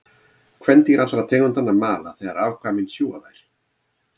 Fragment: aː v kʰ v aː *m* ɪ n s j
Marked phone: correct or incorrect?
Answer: correct